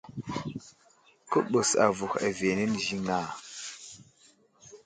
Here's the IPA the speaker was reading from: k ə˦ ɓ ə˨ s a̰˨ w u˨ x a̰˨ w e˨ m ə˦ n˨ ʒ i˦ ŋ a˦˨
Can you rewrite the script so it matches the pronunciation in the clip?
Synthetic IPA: k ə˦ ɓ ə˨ s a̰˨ v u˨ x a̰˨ v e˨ n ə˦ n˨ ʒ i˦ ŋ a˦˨

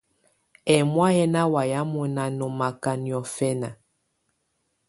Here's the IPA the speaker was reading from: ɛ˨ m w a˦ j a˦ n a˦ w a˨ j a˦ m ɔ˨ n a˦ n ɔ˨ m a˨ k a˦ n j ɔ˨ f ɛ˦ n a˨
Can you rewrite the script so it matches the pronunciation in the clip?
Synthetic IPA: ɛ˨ m w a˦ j ɛ˦ n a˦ w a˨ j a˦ m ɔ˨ n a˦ n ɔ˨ m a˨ k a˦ n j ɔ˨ f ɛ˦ n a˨

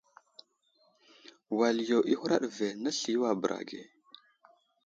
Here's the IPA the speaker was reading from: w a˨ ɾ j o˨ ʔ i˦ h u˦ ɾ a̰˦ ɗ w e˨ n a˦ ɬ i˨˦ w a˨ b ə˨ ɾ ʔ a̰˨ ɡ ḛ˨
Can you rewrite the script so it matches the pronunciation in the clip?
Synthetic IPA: w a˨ l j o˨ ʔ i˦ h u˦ ɾ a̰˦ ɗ v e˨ n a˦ ɬ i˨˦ w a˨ b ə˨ ɾ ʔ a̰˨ ɡ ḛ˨

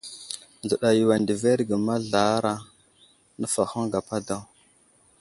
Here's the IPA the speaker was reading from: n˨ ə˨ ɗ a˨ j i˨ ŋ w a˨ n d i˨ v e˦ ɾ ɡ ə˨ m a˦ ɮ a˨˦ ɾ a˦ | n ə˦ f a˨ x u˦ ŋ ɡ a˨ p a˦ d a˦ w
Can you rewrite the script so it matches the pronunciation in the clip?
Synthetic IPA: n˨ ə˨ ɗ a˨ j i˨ w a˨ n d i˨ v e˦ ɾ ɡ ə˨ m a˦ ɮ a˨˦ ɾ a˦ | n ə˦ f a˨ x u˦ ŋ ɡ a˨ p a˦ d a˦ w

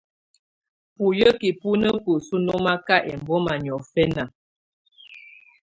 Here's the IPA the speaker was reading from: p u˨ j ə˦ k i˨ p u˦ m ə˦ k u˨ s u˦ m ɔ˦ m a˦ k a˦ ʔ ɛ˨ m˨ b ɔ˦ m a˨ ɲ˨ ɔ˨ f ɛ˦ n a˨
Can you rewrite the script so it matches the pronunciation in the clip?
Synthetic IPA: p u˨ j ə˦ k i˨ p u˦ n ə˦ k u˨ s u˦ n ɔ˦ m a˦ k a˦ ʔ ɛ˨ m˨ b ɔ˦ m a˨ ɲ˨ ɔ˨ f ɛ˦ n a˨

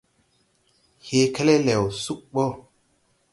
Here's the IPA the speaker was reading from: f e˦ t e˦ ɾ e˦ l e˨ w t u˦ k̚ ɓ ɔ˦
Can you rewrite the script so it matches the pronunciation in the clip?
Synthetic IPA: h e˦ k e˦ l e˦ l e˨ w s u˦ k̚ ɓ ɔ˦

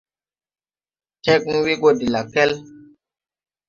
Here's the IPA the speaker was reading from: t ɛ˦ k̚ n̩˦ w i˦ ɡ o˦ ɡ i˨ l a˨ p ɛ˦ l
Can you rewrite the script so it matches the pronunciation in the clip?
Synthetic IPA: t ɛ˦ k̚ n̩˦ w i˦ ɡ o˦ d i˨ l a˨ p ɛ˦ l

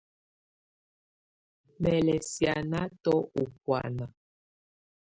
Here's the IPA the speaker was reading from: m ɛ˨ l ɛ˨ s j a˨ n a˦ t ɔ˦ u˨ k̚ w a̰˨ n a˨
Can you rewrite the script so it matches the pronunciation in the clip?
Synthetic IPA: m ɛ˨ l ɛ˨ s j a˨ n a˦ t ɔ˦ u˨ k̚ w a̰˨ n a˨

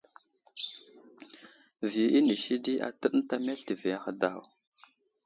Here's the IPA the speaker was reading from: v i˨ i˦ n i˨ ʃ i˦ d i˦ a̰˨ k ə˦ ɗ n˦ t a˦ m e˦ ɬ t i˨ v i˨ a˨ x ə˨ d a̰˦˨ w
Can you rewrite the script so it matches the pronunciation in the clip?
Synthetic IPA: v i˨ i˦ n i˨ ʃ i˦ d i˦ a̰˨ t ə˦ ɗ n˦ t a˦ m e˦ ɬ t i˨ v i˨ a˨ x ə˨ d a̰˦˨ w

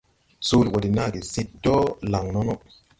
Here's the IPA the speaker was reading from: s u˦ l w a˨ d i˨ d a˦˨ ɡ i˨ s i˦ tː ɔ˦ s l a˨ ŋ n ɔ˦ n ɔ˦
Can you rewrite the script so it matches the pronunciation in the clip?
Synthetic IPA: s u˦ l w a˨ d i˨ n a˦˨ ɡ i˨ s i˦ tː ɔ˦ l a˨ ŋ n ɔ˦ n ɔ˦

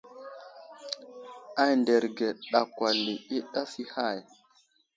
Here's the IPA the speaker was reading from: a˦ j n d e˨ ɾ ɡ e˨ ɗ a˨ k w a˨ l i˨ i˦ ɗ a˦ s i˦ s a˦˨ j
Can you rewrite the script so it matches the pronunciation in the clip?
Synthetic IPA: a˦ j n d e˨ ɾ ɡ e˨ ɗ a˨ k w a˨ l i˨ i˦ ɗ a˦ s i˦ h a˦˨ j

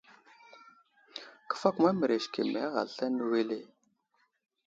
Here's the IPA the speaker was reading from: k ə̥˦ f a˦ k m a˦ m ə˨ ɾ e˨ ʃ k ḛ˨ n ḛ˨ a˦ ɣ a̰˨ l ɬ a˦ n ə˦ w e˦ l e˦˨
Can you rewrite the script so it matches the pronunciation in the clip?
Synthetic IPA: k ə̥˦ f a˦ k m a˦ m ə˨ ɾ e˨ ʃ k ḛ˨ m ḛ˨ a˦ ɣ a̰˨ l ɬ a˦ n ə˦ w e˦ l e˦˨

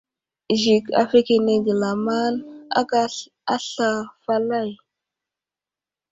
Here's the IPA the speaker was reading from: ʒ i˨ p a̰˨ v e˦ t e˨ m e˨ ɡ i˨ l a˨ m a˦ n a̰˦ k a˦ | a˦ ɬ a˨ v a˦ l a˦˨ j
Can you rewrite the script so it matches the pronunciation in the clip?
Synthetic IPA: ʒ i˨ k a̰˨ f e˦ k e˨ n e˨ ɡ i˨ l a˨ m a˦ n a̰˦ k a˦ | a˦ ɬ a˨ f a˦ l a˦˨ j

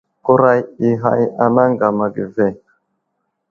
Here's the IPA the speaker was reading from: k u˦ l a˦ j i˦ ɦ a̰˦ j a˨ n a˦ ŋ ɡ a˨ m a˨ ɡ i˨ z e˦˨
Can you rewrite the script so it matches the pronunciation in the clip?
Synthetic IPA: k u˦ ɾ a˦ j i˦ ɦ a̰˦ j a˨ n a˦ ŋ ɡ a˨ m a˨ ɡ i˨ v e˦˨

